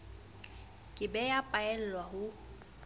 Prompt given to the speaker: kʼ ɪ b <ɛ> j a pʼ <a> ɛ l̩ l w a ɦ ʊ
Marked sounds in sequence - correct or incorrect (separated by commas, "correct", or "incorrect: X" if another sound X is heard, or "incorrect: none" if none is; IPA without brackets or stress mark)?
correct, correct